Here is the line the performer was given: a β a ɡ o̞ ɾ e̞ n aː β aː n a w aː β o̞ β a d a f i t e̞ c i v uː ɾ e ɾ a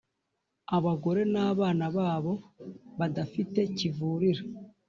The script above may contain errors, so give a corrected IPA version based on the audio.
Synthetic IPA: a β a ɡ o̞ ɾ e̞ n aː β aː n a β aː β o̞ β a d a f i t e̞ c i v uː ɾ i ɾ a